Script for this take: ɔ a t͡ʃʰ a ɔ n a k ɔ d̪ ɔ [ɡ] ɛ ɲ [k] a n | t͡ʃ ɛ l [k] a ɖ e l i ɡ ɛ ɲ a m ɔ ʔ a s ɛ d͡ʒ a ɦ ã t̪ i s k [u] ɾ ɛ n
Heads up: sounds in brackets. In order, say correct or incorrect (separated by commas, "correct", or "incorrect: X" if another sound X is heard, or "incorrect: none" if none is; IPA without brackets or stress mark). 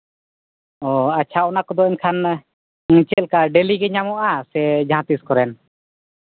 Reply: incorrect: none, incorrect: kʰ, correct, incorrect: ɔ